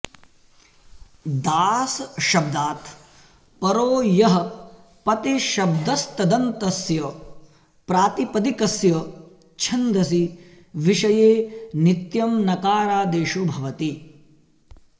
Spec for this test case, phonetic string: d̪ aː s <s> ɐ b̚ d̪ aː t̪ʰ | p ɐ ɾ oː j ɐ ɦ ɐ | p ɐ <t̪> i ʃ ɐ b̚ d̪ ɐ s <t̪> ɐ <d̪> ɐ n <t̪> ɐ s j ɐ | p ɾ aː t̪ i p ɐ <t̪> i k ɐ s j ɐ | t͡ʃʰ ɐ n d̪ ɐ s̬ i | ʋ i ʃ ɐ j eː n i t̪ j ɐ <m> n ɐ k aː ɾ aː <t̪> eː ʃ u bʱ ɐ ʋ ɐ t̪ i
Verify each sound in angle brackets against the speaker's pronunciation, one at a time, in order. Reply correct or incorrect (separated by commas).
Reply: incorrect, correct, correct, correct, correct, incorrect, correct, incorrect